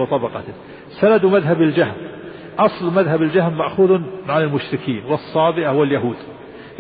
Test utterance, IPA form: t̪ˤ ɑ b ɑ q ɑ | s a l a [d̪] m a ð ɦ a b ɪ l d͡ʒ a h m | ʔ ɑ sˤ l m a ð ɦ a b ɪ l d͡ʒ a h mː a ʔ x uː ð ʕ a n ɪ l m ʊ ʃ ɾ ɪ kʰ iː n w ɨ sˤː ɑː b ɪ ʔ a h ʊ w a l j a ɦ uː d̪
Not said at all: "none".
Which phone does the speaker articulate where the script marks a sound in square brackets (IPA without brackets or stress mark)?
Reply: d̪